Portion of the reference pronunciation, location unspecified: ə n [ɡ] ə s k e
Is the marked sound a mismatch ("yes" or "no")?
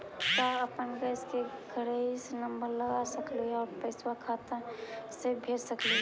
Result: no